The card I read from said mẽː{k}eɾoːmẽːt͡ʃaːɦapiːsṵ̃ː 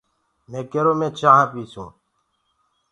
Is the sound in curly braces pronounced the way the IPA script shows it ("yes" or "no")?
yes